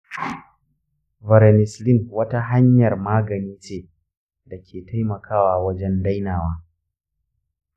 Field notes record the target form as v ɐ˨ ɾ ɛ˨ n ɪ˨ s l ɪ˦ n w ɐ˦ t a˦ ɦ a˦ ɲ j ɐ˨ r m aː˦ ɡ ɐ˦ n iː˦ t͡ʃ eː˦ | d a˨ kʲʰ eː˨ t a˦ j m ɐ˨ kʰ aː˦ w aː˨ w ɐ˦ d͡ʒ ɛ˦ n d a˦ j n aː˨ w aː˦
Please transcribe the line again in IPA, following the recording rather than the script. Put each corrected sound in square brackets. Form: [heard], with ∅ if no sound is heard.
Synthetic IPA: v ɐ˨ ɾ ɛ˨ n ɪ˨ s l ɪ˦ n w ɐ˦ t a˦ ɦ a˦ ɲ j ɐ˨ r m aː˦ ɡ [ɐ˨] n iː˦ t͡ʃ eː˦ | d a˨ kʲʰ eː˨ t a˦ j m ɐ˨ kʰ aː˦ w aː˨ w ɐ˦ d͡ʒ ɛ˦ n d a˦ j n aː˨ w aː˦